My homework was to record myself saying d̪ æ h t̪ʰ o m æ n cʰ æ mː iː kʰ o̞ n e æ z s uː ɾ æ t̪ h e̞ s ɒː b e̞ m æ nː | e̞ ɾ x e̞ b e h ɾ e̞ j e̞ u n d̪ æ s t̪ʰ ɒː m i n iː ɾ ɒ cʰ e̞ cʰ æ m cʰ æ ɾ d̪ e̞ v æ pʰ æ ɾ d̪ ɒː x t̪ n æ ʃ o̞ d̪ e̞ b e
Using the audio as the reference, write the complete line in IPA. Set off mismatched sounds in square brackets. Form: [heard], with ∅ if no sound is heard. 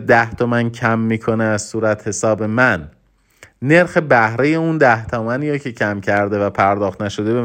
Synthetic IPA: d̪ æ h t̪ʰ o m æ n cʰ æ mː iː kʰ o̞ n e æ z s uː ɾ æ t̪ h e̞ s ɒː b e̞ m æ nː | e̞ ɾ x e̞ b [æ] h ɾ e̞ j e̞ u n d̪ æ [h] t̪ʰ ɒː m [æ] n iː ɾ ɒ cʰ e̞ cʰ æ m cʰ æ ɾ d̪ e̞ v æ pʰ æ ɾ d̪ ɒː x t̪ n æ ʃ o̞ d̪ e̞ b e